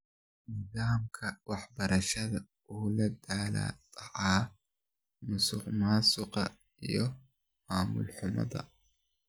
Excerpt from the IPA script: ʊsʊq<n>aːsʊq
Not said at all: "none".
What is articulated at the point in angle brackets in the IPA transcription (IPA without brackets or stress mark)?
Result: m